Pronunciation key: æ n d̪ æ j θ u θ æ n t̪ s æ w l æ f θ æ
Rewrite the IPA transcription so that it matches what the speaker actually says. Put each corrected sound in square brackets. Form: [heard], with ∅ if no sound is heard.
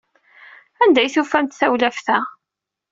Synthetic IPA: æ n d̪ æ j θ u [f] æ n t̪ [θ] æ w l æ f θ æ